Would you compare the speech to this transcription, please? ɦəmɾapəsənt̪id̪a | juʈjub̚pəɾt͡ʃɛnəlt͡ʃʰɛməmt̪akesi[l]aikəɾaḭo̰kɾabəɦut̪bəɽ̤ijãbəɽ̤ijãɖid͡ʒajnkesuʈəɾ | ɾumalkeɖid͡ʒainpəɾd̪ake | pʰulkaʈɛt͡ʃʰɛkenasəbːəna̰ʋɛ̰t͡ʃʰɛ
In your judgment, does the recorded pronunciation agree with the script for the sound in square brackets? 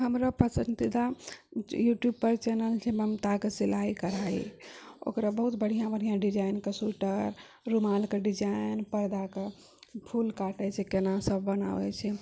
yes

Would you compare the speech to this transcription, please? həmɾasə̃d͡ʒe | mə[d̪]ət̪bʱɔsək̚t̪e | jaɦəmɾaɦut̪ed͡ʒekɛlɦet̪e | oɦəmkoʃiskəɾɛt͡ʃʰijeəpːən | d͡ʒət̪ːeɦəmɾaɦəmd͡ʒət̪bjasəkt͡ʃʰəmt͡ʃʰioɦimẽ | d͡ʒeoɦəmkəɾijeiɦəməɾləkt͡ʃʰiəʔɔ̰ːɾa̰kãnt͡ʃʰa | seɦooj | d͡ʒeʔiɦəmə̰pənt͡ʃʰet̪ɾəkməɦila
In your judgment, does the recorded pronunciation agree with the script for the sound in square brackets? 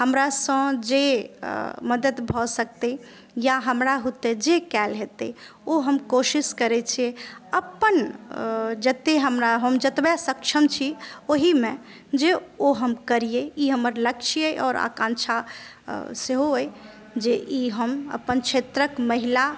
yes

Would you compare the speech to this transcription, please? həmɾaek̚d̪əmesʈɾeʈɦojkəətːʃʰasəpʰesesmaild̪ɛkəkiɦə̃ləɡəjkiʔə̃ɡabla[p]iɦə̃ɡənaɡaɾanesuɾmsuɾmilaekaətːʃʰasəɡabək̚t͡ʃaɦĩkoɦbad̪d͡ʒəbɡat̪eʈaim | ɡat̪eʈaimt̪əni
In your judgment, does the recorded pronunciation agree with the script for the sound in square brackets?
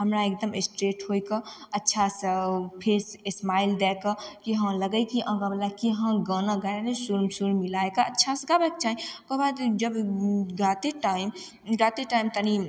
no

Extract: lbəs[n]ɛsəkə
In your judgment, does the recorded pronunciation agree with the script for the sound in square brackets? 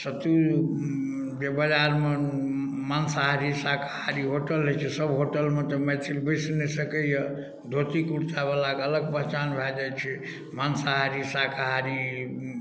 yes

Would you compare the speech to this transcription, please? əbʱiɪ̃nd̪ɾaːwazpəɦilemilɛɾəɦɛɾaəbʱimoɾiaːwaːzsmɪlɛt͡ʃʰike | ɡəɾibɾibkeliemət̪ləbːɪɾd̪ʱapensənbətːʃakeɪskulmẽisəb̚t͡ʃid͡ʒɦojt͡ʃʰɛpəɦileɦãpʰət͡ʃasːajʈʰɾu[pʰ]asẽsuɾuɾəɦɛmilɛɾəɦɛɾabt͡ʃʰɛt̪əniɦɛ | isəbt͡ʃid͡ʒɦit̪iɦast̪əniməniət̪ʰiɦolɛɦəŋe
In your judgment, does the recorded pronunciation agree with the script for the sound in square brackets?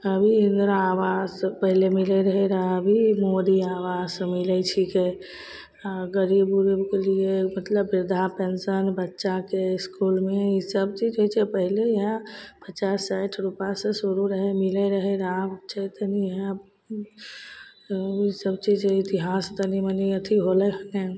no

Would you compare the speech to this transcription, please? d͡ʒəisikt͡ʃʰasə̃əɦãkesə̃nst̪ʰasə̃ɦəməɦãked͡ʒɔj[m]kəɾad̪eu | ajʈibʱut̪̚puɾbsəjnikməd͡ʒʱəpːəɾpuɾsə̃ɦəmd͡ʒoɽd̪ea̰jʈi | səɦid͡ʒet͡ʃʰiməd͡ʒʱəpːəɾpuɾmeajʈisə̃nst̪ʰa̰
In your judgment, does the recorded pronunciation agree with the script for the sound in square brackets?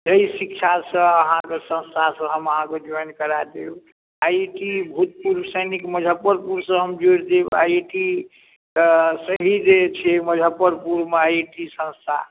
no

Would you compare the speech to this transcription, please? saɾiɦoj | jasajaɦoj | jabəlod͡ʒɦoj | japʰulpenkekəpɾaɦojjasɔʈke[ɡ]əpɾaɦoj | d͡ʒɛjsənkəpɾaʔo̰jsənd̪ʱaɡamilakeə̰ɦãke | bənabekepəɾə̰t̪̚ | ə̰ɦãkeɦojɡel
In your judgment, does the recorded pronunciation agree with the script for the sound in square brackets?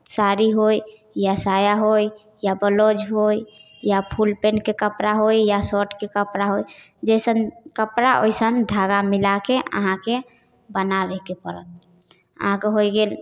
no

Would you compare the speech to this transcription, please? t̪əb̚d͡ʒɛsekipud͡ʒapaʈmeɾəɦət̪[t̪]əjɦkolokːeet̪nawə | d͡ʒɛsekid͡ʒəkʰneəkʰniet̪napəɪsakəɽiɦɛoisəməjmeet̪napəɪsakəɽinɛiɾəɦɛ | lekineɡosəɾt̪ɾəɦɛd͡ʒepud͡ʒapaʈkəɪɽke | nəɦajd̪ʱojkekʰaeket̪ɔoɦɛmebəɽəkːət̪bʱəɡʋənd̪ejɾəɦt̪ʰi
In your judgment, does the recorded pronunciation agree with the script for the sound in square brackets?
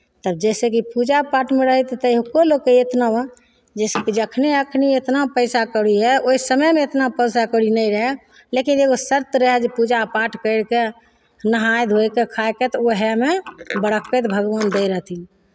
yes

